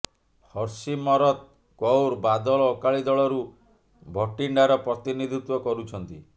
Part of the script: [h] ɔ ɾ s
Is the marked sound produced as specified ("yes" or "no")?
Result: yes